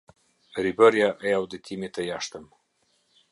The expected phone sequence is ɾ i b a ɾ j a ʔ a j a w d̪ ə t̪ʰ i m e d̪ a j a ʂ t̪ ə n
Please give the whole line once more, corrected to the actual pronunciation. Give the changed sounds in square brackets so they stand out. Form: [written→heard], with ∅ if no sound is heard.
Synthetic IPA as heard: ɾ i b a ɾ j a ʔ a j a w d̪ ə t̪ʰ i m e [d̪→t̪] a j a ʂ t̪ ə [n→m]